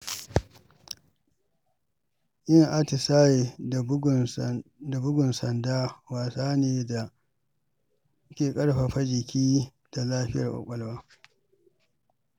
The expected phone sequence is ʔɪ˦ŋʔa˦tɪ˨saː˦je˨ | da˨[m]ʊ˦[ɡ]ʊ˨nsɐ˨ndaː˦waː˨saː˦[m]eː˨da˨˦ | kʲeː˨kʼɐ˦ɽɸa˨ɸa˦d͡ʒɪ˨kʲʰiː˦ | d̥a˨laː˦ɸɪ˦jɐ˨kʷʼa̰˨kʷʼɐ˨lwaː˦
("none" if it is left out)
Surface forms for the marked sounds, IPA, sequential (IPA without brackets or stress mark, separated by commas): b, ɡ, n